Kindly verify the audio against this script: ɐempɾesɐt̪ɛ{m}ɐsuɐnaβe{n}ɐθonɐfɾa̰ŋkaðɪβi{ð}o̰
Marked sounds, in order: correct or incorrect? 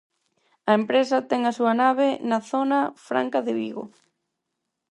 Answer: incorrect, correct, incorrect

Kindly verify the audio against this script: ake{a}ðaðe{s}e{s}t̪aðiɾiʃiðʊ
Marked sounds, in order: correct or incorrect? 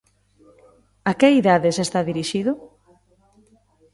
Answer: incorrect, correct, correct

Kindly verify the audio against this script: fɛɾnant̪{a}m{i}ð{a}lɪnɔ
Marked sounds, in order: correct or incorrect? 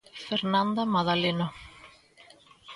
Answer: correct, incorrect, correct

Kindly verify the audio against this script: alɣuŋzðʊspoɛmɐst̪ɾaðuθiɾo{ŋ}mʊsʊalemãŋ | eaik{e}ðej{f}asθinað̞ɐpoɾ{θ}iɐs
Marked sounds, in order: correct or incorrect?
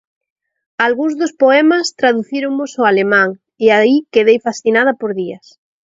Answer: correct, correct, correct, incorrect

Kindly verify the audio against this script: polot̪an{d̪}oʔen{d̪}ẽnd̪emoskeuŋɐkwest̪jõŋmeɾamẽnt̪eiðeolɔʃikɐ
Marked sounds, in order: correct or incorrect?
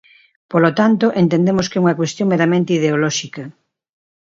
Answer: incorrect, incorrect

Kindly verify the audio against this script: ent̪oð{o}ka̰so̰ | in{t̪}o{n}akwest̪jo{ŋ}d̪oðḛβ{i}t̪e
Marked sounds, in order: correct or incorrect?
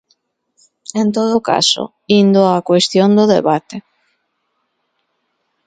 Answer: correct, incorrect, incorrect, incorrect, incorrect

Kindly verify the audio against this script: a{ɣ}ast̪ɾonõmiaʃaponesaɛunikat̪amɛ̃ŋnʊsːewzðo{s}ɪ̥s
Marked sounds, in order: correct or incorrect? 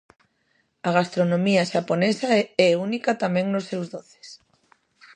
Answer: correct, incorrect

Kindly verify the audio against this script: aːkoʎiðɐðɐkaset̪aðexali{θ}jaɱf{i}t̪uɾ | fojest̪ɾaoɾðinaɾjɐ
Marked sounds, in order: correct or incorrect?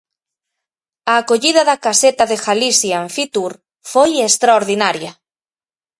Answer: incorrect, correct

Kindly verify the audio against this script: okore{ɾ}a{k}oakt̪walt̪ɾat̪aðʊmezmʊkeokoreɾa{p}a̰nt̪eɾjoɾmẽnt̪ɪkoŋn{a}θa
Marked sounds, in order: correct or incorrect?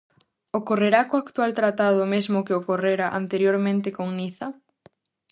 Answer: correct, correct, incorrect, incorrect

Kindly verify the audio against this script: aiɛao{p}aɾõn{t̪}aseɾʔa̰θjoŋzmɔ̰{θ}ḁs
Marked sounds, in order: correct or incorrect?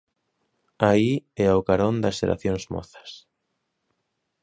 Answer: incorrect, incorrect, correct

